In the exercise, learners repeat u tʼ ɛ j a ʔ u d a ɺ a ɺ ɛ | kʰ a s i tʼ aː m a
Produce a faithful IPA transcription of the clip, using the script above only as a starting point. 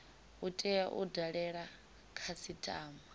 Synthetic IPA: u tʼ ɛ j a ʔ u d a ɺ ɛ ɺ a | kʰ a s i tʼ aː m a